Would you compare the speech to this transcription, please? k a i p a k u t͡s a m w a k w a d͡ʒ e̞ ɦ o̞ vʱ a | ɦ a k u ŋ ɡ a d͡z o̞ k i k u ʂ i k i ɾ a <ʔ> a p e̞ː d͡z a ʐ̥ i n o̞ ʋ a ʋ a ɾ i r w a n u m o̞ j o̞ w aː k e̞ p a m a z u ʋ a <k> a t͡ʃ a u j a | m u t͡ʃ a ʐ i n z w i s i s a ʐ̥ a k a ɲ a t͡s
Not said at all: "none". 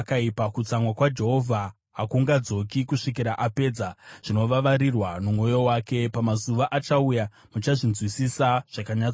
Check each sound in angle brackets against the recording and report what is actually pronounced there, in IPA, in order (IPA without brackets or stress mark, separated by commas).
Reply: ʔ, ʔ